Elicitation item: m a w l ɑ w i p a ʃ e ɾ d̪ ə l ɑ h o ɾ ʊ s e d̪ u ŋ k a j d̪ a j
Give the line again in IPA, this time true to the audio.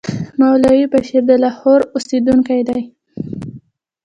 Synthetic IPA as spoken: m a w l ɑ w i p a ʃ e ɾ d̪ ə l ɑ h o ɾ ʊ s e d̪ u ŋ k a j d̪ a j